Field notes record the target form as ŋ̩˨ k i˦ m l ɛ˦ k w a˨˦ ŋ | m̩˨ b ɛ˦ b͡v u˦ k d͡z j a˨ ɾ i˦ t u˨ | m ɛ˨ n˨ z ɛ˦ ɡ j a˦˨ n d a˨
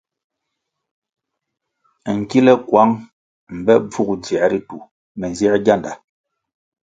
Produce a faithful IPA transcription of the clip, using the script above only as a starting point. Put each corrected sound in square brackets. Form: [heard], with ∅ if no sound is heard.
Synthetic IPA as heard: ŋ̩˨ k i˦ [∅] l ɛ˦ k w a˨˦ ŋ | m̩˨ b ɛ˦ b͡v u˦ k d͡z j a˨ ɾ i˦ t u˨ | m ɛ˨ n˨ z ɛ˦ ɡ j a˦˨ n d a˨

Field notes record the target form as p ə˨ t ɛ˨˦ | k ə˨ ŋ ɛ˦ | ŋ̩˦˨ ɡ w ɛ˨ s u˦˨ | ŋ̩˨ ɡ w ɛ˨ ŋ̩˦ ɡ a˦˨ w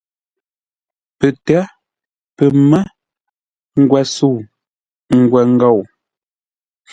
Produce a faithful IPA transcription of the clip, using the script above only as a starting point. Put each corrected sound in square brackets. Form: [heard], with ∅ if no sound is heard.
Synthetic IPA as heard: p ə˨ t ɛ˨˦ | [p] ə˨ [m] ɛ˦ | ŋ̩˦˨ ɡ w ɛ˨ s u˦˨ | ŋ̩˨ ɡ w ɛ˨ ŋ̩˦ ɡ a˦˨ w

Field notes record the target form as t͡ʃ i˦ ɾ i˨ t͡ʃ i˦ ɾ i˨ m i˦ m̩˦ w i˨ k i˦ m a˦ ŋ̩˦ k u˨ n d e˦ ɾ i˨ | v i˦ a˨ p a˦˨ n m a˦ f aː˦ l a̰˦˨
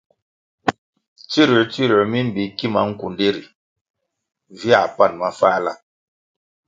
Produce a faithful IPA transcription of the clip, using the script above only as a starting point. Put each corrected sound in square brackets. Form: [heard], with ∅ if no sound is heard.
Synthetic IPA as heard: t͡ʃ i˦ ɾ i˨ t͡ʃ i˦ ɾ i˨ m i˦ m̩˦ [b] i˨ k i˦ m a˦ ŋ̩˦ k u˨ n d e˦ ɾ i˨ | v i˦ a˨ p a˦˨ n m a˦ f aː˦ l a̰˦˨

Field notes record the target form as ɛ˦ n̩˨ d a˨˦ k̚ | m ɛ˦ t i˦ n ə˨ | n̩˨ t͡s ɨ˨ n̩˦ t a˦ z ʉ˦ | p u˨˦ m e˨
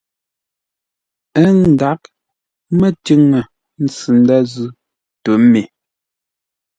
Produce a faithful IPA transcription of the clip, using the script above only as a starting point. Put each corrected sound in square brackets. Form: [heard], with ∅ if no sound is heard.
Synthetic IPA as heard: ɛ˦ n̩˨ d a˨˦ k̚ | m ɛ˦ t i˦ [ŋ] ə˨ | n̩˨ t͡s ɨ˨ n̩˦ [d] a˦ z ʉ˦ | [t] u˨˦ m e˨

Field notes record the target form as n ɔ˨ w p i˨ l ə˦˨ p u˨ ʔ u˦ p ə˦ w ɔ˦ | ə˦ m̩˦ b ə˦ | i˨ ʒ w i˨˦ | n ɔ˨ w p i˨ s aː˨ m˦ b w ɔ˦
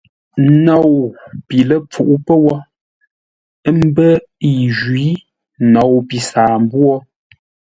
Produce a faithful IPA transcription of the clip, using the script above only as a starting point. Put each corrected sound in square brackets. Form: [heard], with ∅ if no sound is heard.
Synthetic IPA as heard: n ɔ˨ w p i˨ l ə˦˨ [p͡f] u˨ ʔ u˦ p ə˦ w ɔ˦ | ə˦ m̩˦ b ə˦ | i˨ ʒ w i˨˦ | n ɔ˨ w p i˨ s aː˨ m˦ b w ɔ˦

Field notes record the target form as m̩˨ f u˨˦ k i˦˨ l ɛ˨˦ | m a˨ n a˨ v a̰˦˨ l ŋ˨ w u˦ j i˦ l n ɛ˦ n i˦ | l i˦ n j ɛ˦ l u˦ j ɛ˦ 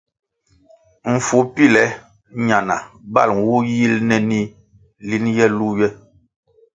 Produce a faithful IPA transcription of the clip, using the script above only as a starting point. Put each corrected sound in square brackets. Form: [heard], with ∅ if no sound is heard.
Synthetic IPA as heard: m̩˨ f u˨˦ [p] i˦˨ l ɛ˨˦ | [ɲ] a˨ n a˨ [b] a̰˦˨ l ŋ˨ w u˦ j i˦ l n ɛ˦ n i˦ | l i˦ n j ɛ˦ l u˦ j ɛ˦

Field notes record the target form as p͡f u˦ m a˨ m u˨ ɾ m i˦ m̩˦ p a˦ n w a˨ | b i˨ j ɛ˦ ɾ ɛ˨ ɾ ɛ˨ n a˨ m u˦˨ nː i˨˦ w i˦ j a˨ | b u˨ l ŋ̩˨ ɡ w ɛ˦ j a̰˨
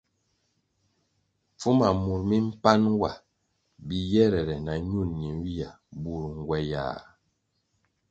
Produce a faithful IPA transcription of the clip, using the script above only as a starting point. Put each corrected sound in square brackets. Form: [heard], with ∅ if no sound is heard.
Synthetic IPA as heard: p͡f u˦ m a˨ m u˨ ɾ m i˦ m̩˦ p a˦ n w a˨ | b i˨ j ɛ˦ ɾ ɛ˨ ɾ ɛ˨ n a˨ [ɲ] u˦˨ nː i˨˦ w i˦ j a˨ | b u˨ [ɾ] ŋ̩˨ ɡ w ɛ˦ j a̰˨

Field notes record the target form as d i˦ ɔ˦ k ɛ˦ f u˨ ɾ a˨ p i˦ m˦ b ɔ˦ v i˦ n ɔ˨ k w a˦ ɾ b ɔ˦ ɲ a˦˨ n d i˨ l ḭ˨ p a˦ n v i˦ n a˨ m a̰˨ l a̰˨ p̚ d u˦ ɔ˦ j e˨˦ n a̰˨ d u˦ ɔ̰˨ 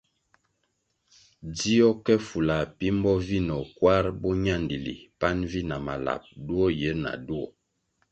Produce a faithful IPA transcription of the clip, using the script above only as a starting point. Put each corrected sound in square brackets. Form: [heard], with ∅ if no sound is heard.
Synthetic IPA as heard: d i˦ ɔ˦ k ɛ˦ f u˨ [l] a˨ p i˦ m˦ b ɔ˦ v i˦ n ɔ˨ k w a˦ ɾ b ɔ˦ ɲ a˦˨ n d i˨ l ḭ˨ p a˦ n v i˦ n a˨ m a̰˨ l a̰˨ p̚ d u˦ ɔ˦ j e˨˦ n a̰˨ d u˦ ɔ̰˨

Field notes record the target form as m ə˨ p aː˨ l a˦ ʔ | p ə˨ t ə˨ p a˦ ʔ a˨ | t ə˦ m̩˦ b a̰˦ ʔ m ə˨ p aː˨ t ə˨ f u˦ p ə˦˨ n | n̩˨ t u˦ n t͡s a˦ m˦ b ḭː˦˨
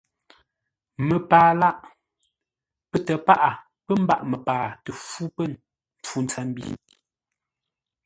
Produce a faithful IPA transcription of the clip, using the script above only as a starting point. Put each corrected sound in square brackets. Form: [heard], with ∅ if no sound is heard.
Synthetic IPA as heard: m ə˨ p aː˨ l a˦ ʔ | p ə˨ t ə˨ p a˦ ʔ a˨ | [p] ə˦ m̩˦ b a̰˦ ʔ m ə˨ p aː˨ t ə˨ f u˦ p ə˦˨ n | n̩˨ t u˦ n t͡s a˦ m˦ b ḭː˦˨

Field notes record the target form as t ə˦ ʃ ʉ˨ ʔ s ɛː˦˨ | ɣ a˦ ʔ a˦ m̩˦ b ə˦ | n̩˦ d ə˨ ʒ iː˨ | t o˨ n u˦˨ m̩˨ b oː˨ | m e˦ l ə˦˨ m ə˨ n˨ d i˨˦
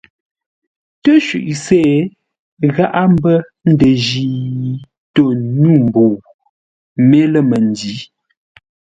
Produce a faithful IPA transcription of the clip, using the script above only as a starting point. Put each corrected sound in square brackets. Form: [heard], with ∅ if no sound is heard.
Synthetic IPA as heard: t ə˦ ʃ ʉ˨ ʔ s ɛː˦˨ | ɣ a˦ ʔ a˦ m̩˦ b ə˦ | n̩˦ d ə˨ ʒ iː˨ | t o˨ n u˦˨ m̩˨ b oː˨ | m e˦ l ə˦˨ m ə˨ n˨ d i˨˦

